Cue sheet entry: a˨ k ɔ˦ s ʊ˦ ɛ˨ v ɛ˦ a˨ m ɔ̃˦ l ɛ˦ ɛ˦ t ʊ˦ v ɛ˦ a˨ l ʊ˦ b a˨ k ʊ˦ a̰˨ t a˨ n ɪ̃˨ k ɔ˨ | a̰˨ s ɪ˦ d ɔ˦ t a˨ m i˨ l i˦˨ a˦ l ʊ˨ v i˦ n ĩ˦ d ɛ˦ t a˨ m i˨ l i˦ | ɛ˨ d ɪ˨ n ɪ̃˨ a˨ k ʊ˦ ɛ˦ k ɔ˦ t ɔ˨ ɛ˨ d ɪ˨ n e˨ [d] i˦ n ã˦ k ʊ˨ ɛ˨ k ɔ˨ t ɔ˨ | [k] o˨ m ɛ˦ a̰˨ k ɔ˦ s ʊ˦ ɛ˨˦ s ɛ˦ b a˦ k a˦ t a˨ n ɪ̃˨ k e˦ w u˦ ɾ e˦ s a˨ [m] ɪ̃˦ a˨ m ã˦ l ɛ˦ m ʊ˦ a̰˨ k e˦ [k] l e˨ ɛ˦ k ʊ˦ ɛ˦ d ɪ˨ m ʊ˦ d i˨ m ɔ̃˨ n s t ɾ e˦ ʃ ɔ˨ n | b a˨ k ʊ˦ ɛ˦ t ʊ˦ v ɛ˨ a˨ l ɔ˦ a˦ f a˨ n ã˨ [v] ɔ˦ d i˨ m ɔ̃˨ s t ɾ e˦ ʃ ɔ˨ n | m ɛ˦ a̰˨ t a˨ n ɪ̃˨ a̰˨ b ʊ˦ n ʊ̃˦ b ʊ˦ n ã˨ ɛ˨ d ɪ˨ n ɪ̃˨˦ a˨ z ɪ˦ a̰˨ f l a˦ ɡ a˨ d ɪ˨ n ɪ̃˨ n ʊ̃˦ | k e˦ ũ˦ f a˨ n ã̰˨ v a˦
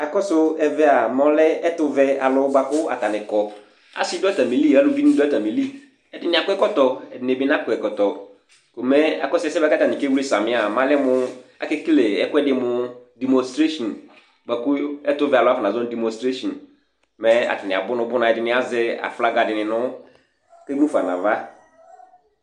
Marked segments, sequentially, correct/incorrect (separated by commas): incorrect, correct, correct, correct, incorrect